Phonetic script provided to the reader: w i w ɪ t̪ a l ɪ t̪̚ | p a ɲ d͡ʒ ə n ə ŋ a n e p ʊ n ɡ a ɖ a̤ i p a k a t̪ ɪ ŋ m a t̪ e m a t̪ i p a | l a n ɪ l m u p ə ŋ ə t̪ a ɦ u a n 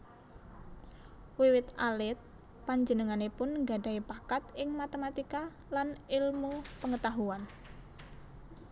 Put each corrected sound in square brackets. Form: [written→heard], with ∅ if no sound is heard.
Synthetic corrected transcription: w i w ɪ t̪ a l ɪ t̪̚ | p a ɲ d͡ʒ ə n ə ŋ a n e p ʊ n ɡ a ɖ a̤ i p a k a t̪ ɪ ŋ m a t̪ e m a t̪ i [p→k] a | l a n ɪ l m u p ə ŋ ə t̪ a ɦ u a n